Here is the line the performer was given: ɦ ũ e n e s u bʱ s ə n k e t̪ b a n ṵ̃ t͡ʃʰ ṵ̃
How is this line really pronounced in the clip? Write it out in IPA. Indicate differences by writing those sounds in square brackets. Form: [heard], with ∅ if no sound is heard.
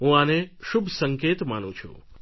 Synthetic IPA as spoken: ɦ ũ [a] n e [ʃ] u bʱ s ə [ŋ] k e t̪ [m] a n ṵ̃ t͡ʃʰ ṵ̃